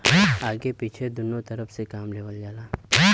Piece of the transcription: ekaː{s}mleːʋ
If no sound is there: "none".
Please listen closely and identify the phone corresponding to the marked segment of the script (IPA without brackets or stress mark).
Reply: none